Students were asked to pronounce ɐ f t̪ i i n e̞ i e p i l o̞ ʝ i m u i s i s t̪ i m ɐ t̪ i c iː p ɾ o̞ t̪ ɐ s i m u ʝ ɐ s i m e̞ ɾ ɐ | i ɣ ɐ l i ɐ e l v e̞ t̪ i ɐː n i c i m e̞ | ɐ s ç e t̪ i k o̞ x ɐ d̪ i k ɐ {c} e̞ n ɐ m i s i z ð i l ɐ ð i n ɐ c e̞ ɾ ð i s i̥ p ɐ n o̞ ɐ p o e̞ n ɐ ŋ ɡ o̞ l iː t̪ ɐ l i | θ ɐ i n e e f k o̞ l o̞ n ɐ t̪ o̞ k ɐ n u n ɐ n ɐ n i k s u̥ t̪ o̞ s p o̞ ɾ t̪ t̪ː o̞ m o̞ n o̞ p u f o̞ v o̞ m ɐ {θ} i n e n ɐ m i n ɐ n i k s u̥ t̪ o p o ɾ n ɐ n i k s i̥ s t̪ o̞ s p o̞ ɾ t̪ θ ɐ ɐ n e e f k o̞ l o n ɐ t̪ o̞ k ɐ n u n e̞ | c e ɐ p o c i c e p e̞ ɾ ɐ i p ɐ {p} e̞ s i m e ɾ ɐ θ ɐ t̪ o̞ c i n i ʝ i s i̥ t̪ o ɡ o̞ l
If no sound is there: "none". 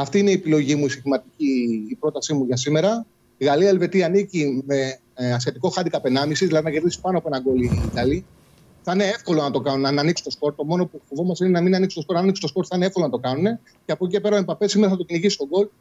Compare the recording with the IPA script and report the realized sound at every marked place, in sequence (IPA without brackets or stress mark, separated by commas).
p, s, p